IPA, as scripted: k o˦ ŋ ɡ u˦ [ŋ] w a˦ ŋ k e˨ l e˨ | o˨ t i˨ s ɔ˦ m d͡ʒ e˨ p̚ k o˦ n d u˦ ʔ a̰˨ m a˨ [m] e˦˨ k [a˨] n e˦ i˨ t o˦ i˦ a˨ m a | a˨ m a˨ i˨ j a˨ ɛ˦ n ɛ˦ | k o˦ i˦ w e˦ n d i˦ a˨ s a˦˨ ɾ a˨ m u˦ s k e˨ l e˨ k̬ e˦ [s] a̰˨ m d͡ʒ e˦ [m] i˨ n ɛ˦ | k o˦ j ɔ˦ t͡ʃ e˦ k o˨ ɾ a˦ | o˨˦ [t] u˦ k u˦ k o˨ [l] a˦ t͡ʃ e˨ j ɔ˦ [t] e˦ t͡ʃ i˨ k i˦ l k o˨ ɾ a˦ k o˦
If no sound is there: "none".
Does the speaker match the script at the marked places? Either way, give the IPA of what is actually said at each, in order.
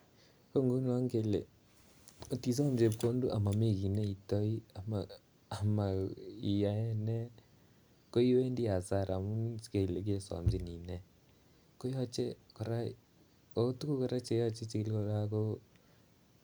n, m, i˨, s, n, t, ɾ, t͡ʃ

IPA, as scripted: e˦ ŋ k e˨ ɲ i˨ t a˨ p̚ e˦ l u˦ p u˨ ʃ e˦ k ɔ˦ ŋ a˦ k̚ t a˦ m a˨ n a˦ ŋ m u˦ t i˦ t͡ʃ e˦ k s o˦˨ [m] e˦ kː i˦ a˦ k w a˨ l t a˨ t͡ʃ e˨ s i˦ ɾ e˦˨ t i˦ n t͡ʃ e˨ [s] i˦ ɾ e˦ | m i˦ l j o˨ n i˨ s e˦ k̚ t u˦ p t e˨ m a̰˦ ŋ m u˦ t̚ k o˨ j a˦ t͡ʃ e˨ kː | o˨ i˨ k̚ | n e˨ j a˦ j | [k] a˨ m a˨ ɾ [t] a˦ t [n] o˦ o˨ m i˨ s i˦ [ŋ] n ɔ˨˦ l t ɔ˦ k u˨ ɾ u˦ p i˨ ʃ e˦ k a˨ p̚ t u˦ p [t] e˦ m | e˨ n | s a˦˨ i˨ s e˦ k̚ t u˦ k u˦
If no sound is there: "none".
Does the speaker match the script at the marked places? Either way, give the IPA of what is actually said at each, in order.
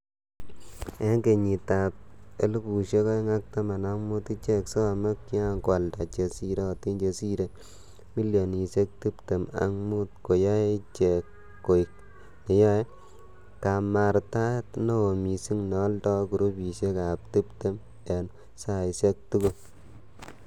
m, s, k, t, n, ŋ, t

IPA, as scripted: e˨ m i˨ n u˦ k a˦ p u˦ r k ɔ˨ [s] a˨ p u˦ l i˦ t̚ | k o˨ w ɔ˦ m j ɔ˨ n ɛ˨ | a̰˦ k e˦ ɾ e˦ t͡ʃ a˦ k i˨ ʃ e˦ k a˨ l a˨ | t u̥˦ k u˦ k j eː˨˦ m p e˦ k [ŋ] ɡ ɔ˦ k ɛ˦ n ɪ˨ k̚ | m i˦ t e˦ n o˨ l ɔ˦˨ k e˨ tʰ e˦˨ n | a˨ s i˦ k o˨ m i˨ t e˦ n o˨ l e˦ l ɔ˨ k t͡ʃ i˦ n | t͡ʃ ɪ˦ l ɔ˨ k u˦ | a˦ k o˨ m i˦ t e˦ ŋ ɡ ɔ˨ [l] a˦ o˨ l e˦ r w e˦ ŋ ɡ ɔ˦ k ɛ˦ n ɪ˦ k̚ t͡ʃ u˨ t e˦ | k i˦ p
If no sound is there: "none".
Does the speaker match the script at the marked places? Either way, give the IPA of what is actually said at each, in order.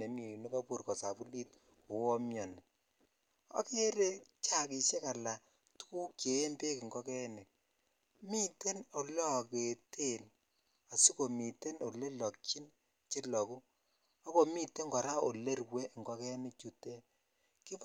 s, ŋ, ɾ

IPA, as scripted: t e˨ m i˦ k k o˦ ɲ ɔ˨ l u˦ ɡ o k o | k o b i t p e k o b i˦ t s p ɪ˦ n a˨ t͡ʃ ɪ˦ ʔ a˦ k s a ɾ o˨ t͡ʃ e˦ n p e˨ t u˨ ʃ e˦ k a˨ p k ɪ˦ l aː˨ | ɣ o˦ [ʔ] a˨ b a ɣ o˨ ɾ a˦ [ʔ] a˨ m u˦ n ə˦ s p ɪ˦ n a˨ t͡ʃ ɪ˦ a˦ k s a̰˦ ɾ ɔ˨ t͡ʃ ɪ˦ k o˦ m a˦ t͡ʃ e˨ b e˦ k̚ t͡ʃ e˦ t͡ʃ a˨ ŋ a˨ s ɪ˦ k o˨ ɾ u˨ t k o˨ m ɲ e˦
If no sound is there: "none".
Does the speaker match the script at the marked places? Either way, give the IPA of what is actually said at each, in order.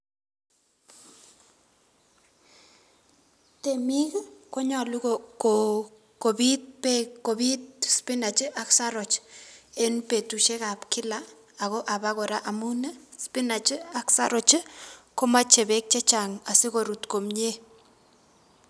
ʔ, ʔ

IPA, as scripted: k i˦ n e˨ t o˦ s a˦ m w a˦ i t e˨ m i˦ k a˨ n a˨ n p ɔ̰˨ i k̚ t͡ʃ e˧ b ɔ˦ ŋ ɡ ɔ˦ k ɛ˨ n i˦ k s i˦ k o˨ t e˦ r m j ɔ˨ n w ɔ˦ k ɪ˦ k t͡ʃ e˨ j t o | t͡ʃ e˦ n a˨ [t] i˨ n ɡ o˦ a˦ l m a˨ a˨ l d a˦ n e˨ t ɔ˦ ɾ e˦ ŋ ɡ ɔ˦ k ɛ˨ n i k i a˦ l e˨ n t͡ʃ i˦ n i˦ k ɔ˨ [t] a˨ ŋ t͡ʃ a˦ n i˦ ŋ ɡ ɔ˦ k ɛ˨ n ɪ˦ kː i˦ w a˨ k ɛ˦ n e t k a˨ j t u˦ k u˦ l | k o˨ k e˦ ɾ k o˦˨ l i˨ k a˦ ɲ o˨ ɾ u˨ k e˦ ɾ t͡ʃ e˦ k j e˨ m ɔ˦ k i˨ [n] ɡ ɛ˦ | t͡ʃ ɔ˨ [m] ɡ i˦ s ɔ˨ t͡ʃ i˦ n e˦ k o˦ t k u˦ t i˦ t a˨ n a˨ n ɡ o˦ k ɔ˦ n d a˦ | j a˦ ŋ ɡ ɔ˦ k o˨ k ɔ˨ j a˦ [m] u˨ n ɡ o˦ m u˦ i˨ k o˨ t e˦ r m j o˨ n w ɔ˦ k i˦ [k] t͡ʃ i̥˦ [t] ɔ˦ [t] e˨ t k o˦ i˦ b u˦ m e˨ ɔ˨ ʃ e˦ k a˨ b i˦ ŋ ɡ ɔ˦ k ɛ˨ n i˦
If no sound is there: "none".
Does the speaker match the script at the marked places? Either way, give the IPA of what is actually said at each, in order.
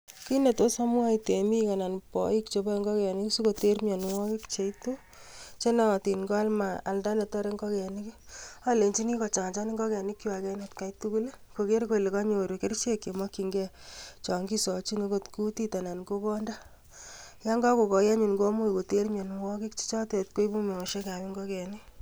t, t͡ʃ, ŋ, ŋ, ɲ, k, t͡ʃ, t

